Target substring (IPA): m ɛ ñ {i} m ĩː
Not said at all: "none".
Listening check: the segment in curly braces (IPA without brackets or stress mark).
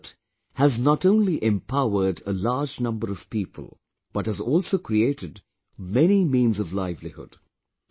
i